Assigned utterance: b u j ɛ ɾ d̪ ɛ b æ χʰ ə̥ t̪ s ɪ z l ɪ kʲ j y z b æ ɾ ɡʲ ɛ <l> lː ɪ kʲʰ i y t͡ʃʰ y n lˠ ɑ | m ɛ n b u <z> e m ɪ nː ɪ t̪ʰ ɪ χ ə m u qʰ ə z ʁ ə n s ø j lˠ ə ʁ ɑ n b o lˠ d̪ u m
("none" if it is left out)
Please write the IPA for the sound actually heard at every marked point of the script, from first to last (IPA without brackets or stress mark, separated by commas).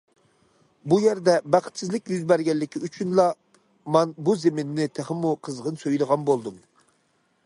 l, z